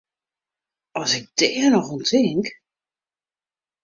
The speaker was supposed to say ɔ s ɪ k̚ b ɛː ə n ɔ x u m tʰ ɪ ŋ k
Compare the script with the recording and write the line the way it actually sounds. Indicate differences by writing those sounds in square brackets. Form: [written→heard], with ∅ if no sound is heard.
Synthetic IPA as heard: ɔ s ɪ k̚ [b→d] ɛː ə n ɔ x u [m→n] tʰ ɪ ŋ k